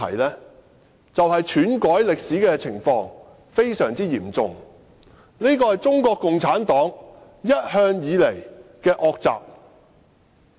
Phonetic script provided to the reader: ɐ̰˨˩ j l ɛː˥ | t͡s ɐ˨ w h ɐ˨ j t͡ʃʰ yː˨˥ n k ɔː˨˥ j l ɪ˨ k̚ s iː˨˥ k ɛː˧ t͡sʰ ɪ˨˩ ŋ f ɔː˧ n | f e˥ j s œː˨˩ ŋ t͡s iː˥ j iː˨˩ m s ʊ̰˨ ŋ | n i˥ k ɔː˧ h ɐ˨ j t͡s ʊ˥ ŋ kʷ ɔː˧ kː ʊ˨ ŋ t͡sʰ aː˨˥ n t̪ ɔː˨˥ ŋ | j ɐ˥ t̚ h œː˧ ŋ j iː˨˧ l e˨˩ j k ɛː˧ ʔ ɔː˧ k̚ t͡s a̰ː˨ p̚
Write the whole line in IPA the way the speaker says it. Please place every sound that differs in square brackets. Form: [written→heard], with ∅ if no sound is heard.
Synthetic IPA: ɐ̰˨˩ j l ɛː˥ | t͡s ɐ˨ w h ɐ˨ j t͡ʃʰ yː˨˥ n k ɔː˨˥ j l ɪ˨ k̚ s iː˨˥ k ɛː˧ t͡sʰ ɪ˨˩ ŋ f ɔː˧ [n→ŋ] | f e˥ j s œː˨˩ ŋ t͡s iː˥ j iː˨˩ m [s→t͡s] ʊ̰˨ ŋ | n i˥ k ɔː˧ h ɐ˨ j t͡s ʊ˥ ŋ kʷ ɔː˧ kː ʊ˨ ŋ t͡sʰ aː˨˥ n t̪ ɔː˨˥ ŋ | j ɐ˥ t̚ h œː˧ ŋ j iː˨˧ l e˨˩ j k ɛː˧ ʔ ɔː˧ k̚ t͡s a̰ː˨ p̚

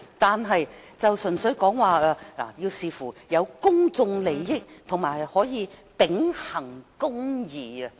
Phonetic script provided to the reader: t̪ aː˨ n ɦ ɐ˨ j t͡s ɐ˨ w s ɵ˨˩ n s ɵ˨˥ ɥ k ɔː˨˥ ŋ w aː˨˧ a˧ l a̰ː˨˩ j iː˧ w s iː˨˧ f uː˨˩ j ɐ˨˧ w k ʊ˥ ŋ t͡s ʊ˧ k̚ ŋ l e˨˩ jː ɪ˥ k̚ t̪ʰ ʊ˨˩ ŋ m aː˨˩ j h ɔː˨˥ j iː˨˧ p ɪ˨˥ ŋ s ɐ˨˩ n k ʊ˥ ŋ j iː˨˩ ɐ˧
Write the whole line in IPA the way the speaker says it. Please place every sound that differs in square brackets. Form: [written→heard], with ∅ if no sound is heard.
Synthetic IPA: t̪ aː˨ n ɦ ɐ˨ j t͡s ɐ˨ w s ɵ˨˩ n s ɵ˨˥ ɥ k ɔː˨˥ ŋ w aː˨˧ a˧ l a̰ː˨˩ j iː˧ w s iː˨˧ f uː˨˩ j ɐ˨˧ w k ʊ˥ ŋ t͡s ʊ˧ [k̚→∅] ŋ l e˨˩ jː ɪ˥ k̚ t̪ʰ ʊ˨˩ ŋ m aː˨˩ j h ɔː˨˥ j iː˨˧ p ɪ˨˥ ŋ [s→h] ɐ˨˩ [n→ŋ] k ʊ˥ ŋ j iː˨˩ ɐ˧

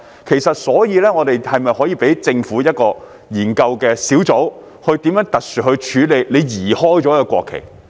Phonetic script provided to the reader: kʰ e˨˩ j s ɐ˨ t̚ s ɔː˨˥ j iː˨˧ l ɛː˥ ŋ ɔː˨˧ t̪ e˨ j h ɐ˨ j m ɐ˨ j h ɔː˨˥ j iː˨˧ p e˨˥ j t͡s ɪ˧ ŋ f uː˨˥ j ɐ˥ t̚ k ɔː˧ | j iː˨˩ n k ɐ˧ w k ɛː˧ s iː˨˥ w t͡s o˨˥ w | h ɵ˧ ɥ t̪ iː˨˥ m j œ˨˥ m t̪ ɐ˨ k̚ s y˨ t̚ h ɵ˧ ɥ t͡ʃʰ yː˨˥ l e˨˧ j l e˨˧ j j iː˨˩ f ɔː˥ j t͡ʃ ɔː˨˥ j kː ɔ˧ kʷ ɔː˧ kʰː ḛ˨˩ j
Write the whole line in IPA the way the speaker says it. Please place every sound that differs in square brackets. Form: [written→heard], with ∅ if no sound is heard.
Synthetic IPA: kʰ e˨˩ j s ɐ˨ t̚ s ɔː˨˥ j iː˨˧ l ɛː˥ ŋ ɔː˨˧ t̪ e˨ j h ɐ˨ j m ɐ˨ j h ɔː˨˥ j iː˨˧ p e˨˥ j t͡s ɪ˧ ŋ f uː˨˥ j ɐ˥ t̚ k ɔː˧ | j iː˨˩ n k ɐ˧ w k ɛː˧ s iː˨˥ w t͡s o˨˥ w | h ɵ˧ ɥ t̪ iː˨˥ m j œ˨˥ [m→ŋ] t̪ ɐ˨ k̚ s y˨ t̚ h ɵ˧ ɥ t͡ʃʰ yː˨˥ l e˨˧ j l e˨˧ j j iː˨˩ [f→h] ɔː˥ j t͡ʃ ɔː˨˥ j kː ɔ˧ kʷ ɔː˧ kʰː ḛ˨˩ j

